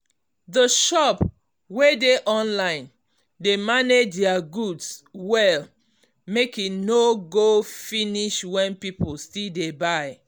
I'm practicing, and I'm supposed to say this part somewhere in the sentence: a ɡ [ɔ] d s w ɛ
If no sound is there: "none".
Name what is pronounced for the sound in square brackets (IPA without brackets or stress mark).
u